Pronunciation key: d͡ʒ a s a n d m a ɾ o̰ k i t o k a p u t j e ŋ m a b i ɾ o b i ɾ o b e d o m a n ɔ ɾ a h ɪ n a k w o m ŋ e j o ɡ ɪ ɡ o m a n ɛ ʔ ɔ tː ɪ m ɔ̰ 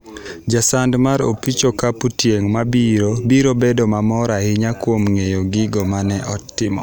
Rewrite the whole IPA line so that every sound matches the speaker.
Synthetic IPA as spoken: d͡ʒ a s a n d m a ɾ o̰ p i t͡ʃ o k a p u t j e ŋ m a b i ɾ o b i ɾ o b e d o m a m ɔ ɾ a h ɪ ɲ a k w o m ŋ e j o ɡ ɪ ɡ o m a n ɛ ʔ ɔ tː ɪ m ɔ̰